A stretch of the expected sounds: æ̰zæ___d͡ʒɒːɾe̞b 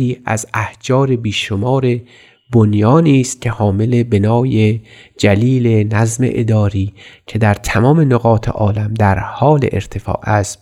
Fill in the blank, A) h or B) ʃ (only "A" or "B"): A